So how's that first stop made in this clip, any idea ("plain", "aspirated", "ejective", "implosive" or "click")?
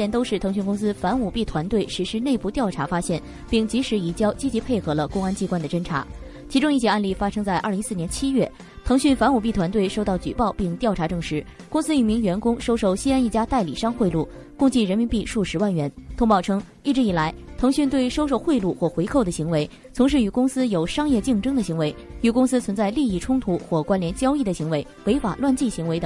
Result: plain